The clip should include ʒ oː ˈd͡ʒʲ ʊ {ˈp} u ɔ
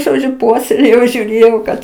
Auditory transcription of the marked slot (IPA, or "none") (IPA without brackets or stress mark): p